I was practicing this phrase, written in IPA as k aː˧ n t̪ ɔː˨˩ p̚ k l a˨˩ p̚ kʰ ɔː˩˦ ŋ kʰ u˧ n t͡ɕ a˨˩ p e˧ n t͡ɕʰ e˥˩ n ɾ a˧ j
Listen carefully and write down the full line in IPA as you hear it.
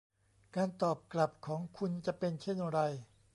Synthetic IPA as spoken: k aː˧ n t̪ ɔː˨˩ p̚ k l a˨˩ p̚ kʰ ɔː˩˦ ŋ kʰ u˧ n t͡ɕ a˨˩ p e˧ n t͡ɕʰ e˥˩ n ɾ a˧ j